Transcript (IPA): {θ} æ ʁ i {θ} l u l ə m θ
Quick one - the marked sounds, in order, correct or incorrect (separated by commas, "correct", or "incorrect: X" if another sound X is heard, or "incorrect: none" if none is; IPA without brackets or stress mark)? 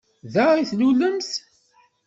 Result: incorrect: ð, correct